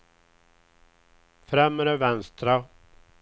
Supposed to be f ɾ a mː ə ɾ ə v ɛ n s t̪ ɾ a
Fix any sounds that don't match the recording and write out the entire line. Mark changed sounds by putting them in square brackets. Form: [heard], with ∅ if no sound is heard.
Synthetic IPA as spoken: f ɾ [ɛ] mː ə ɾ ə v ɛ n s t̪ ɾ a